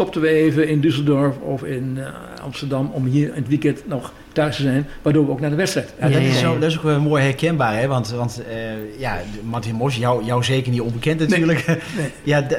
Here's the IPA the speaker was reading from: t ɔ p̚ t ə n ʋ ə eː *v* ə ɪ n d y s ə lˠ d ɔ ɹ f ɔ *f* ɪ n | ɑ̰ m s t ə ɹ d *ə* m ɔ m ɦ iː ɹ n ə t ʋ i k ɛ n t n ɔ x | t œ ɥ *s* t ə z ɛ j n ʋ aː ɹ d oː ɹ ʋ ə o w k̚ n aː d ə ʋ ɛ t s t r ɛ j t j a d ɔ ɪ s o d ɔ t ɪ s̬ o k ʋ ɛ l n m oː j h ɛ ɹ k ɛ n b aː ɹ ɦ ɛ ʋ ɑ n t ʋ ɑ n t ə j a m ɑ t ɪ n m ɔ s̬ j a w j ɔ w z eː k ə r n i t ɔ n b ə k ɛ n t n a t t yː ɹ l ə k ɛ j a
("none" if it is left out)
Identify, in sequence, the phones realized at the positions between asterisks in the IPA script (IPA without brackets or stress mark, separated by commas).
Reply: v, f, ɑ, s